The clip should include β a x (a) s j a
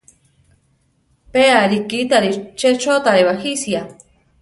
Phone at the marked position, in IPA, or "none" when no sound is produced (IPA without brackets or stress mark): i